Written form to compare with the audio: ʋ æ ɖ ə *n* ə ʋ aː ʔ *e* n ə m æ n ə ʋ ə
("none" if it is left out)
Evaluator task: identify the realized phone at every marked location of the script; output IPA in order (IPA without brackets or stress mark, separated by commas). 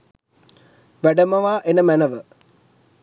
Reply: m, e